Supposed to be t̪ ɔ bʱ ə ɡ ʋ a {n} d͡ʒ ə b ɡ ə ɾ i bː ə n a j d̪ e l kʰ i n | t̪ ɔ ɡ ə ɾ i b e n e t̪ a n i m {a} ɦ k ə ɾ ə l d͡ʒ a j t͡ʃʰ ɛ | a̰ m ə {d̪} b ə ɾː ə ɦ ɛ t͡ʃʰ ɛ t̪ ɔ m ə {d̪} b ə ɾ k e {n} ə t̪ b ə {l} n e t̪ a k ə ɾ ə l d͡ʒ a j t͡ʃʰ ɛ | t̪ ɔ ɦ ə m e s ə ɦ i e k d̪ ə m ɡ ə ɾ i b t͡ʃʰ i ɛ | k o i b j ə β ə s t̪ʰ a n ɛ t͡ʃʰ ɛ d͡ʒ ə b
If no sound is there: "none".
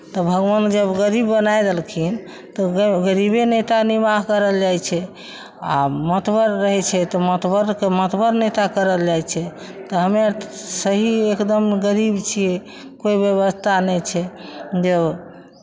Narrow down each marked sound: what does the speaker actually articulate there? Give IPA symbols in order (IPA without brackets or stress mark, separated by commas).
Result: n, a, t̪, t̪, m, ɾ